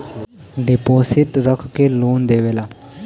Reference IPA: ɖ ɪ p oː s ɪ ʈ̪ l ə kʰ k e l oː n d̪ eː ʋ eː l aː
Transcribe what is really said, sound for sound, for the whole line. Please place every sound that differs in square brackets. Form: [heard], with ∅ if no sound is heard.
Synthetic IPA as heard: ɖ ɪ p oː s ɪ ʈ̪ [ɾ] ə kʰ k e l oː n d̪ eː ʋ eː l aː